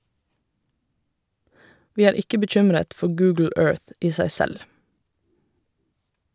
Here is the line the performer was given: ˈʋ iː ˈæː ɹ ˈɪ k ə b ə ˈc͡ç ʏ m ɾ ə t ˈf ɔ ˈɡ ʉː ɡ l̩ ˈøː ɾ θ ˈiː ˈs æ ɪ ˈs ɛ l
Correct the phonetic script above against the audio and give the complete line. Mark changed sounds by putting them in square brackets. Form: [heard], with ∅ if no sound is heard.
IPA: ˈʋ iː ˈæː ɹ ˈɪ k ə b ə ˈc͡ç ʏ m ɾ ə t ˈf ɔ ˈɡ ʉː ɡ l̩ ˈøː [ɹ] θ ˈiː ˈs æ ɪ ˈs ɛ l